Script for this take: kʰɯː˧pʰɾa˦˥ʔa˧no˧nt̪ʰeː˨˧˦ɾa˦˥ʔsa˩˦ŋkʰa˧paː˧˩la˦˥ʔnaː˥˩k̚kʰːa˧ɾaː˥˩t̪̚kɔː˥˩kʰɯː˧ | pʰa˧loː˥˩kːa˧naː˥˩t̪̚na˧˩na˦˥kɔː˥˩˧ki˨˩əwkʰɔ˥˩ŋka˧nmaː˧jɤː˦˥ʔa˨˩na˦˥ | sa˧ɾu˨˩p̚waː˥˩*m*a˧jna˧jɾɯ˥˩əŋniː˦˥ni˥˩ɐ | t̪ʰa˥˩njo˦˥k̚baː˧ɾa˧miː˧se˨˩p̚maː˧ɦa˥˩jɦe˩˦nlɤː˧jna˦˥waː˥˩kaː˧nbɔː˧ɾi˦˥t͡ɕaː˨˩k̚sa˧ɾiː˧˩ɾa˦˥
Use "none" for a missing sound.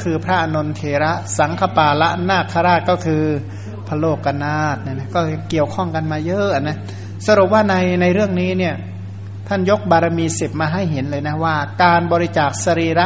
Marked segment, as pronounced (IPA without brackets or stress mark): n